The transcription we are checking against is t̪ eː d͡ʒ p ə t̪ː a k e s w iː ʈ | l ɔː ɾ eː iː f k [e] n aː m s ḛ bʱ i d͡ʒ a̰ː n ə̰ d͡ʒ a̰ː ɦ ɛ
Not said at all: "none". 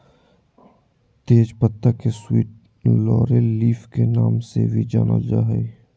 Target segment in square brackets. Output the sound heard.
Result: e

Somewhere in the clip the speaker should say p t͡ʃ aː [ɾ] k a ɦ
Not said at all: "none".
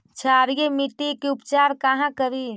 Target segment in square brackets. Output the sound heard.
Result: ɾ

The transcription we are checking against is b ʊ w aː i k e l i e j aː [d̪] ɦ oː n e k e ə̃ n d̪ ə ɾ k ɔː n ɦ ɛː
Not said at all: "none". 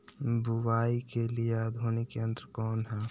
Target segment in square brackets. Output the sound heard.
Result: d̪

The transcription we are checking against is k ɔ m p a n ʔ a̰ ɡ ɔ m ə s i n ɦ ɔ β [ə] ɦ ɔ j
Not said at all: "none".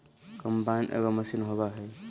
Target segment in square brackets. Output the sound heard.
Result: a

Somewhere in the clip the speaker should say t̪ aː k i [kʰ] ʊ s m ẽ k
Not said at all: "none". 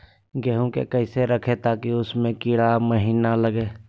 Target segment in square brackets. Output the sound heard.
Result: none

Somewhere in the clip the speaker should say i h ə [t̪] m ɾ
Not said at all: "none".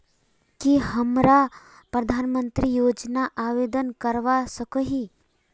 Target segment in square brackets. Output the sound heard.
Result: none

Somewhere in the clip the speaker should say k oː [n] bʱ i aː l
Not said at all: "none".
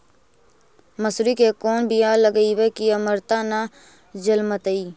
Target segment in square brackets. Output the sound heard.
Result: n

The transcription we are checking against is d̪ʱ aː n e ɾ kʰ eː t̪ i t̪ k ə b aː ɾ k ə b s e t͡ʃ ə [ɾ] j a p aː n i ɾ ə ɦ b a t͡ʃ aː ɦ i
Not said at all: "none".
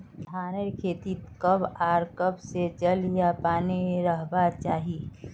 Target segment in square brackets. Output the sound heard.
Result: l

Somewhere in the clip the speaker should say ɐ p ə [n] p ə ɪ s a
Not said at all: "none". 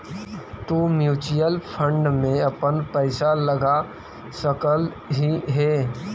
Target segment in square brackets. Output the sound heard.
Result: n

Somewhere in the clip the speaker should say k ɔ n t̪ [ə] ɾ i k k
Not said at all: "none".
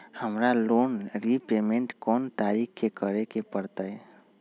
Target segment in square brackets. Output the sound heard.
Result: a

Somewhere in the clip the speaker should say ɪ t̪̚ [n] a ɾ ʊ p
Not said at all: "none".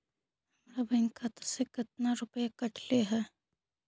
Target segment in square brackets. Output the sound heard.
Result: n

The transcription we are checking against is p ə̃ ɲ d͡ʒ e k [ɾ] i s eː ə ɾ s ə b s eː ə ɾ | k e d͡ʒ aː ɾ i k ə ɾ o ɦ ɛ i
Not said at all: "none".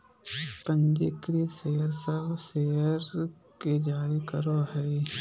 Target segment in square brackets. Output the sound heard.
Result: ɾ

